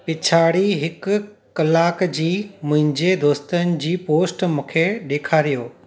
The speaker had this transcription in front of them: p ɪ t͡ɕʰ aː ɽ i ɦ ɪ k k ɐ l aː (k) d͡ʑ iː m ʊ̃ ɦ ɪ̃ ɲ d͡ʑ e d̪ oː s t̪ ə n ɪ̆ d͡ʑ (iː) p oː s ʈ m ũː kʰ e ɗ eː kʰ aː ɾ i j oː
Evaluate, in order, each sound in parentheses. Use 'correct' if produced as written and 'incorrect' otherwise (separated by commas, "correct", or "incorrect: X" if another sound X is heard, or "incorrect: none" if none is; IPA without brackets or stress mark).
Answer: correct, correct